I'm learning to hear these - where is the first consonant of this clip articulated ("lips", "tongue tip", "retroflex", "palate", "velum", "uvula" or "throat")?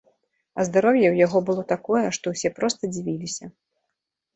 tongue tip